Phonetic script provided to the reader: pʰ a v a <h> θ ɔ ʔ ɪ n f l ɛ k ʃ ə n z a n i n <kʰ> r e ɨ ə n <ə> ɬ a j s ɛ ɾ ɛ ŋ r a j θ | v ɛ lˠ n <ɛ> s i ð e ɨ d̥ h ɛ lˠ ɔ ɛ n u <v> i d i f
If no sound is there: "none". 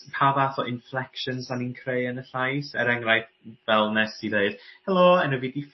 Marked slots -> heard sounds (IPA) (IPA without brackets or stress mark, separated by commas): none, kʰ, ə, ɛ, v